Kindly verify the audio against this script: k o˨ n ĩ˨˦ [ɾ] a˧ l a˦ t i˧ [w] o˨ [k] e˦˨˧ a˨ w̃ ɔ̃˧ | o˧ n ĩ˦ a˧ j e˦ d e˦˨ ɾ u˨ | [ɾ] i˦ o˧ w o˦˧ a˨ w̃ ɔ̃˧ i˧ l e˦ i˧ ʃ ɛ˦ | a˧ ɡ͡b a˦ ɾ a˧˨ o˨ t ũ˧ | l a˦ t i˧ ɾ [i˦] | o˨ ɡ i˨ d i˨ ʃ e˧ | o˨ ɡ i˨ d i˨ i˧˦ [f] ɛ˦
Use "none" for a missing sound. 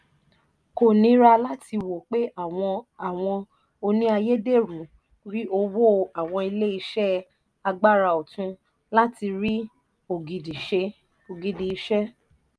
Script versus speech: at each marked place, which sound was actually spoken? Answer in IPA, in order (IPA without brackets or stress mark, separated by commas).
ɾ, w, k͡p, ɾ, i˦, ʃ